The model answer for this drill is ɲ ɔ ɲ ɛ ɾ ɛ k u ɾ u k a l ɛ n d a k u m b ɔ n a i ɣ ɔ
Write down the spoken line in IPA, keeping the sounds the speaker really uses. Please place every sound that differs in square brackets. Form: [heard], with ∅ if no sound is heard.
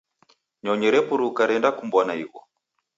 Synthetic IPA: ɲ ɔ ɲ ɛ ɾ ɛ [p] u ɾ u k a [ɾ] ɛ n d a k u m b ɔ n a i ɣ ɔ